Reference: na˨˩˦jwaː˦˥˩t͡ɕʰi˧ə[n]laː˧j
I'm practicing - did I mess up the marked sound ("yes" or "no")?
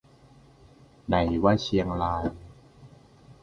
yes